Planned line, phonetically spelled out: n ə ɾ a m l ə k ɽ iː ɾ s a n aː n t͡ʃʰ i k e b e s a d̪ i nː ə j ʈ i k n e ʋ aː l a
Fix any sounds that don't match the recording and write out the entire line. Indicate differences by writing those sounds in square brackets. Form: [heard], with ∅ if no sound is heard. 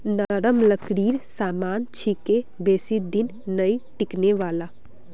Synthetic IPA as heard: n ə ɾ [ə] m l ə k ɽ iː ɾ s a [m] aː n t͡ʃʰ i k e b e s [i] d̪ i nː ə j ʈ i k n e ʋ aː l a